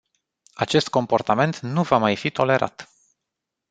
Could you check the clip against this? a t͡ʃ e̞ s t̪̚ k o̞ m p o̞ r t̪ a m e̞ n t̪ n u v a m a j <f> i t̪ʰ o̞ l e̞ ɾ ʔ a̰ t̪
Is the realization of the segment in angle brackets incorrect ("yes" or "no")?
no